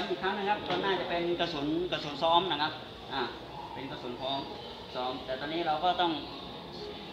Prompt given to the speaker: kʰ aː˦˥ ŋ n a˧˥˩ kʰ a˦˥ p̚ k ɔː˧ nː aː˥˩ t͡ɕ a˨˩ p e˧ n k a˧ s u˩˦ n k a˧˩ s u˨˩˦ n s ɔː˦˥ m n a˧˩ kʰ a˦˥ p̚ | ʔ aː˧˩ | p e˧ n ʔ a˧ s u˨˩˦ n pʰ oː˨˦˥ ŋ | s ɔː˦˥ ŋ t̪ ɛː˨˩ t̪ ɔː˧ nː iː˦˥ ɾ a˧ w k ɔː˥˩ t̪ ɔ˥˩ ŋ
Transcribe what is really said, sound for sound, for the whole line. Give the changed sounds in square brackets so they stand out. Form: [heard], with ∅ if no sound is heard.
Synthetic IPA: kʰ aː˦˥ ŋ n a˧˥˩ kʰ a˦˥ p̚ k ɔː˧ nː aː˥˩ t͡ɕ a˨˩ p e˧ n k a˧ s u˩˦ n k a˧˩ s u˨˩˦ n s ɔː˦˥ m n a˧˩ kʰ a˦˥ p̚ | ʔ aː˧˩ | p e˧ n [k] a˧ s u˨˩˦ n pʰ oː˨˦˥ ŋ | s ɔː˦˥ [m] t̪ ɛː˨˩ t̪ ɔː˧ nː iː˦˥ ɾ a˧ w k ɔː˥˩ t̪ ɔ˥˩ ŋ